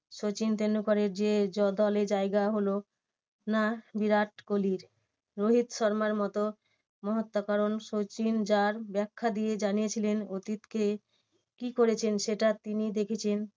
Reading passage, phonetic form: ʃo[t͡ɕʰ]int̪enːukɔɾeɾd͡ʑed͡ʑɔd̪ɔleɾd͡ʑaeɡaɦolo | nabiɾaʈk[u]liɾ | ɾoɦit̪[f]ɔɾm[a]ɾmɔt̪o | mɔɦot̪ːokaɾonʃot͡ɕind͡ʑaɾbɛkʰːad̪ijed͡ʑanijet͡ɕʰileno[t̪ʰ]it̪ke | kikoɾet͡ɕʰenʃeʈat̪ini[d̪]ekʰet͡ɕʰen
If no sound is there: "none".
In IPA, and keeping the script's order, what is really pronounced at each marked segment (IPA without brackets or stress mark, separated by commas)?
t͡ɕ, o, ʃ, a, t̪, d̪